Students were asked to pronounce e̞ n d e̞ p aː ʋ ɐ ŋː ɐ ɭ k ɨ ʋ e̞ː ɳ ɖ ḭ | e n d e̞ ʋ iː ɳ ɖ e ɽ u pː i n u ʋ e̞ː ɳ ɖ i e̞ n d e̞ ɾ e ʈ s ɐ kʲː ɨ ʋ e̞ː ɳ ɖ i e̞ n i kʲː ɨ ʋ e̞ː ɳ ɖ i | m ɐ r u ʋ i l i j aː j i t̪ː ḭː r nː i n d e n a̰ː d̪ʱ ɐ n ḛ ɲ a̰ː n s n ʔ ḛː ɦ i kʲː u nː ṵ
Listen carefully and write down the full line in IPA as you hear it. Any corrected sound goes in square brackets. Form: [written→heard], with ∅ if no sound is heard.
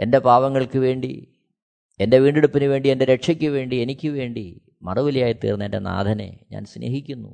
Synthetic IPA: e̞ n d e̞ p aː ʋ ɐ ŋː ɐ ɭ k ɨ ʋ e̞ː ɳ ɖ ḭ | e n d e̞ ʋ iː ɳ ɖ e ɽ u pː i n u ʋ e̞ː ɳ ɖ i e̞ n d e̞ ɾ e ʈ [s→ʂ] ɐ kʲː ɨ ʋ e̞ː ɳ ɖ i e̞ n i kʲː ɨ ʋ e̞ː ɳ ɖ i | m ɐ r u ʋ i l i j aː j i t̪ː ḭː r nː [i→e] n d e n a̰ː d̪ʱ ɐ n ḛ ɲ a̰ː n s n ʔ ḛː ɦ i kʲː u nː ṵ